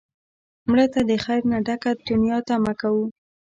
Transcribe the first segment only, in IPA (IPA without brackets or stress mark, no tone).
m